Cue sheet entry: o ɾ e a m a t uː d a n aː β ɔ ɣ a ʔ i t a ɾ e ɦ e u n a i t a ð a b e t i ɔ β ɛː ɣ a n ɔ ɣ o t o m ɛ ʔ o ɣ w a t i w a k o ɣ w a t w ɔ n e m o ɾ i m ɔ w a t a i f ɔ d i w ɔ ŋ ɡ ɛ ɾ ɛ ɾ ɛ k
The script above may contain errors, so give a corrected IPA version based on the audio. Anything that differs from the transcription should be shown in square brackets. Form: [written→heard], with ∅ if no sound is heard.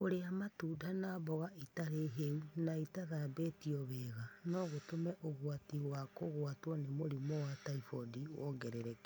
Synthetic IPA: o ɾ e a m a t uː d a n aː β ɔ ɣ a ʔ i t a ɾ e ɦ e u n a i t a ð a b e t i ɔ β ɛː ɣ a n ɔ ɣ o t o m ɛ ʔ o ɣ w a t i w a k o ɣ w a t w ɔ n e m o ɾ i m ɔ w a t a i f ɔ d i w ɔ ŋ ɡ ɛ ɾ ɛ ɾ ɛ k